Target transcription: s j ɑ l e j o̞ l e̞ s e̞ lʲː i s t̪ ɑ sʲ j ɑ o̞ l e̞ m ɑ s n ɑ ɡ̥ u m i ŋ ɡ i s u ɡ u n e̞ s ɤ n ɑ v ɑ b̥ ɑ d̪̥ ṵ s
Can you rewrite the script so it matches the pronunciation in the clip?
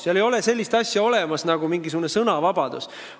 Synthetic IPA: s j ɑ l e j o̞ l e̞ s e̞ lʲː i s t̪ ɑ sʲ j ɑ o̞ l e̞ m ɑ s n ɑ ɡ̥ u m i ŋ ɡ i s u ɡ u n e̞ s ɤ n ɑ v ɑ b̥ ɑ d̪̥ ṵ s

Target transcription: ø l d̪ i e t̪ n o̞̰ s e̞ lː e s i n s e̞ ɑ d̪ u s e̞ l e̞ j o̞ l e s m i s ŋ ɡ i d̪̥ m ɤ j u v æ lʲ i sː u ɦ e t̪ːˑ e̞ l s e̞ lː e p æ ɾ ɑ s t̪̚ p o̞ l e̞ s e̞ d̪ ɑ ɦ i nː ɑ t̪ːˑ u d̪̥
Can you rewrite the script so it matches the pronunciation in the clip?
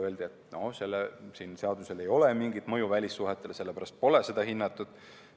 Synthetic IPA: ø l d̪ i e t̪ n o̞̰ s e̞ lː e s i n s e̞ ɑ d̪ u s e̞ l e̞ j o̞ l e m i ŋ ɡ i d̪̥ m ɤ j u v æ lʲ i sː u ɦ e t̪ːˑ e̞ l s e̞ lː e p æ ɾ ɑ s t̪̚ p o̞ l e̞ s e̞ d̪ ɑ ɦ i nː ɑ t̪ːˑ u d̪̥

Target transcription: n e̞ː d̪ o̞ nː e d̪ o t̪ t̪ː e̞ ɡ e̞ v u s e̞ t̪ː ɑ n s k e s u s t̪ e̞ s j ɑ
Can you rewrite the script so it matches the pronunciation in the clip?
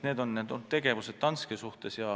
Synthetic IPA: n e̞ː d̪ o̞ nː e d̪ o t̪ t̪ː e̞ ɡ e̞ v u s e̞ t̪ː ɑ n s k e s u h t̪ e̞ s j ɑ

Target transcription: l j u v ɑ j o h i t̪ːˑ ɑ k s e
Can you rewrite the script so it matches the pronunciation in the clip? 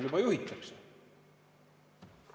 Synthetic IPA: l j u b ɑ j u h i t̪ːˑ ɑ k s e

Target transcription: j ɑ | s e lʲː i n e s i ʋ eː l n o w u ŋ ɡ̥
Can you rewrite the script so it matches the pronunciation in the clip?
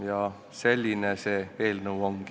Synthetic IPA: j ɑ | s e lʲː i n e s e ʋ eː l n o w o ŋ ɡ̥

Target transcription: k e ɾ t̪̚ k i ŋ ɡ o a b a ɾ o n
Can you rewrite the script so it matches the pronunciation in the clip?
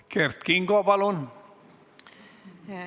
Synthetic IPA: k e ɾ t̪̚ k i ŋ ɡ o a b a l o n

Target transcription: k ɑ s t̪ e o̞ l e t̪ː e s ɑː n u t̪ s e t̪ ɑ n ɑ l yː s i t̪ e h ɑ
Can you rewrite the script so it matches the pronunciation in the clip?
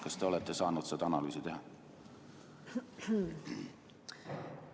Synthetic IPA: k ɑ s t̪ e o̞ l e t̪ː e s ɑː n u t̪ s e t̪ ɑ n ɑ l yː s i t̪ e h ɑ

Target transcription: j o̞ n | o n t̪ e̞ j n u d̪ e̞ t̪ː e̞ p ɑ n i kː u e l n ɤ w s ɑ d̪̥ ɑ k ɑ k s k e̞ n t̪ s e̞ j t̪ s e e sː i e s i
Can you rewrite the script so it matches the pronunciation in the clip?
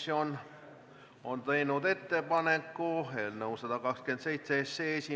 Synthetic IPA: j o̞ n | o n t̪ e̞ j n u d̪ e̞ t̪ː e̞ p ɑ n e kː u e l n ɤ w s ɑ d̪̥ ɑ k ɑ k s k e̞ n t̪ s e̞ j t̪ s e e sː e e s i

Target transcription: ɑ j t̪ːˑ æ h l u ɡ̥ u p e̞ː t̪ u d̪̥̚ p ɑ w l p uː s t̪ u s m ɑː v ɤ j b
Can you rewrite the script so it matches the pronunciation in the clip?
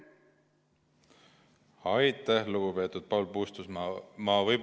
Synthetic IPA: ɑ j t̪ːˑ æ h l u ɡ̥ u p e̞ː t̪ u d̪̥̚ p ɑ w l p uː s t̪ u s m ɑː v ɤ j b

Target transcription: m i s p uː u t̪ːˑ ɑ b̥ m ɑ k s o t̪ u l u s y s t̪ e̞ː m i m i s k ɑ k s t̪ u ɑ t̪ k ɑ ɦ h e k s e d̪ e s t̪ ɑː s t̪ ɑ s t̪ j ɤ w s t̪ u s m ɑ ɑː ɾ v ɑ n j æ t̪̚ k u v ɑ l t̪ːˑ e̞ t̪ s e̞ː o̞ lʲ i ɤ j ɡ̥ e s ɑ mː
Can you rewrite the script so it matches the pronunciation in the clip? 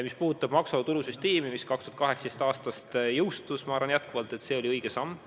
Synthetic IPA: m i s p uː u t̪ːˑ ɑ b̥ m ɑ k s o t̪ u l u s y s t̪ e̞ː m i m i s k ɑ k s t̪ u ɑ t̪ k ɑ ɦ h e k s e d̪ e s t̪ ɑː s t̪ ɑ s t̪ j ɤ w s t̪ u s m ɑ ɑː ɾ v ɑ n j æ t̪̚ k u v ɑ l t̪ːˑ e̞ t̪ s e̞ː o̞ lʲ i ɤ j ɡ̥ e s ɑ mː

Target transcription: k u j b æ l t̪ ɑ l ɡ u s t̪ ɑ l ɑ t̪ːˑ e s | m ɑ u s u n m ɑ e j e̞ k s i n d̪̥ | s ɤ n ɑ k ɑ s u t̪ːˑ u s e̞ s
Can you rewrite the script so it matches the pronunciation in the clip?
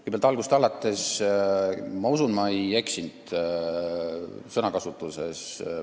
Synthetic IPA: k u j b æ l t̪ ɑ l ɡ u s t̪ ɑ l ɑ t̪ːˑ e s | m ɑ u s u n m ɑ e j e̞ k s i n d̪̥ | s ɤ n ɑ k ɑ s u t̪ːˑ u s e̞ s

